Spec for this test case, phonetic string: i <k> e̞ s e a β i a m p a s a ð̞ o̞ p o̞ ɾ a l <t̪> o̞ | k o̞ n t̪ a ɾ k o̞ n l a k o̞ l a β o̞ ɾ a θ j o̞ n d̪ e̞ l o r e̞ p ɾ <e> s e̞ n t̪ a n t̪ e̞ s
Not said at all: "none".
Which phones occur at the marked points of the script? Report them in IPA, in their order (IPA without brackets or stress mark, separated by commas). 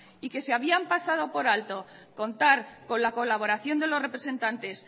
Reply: k, t̪, e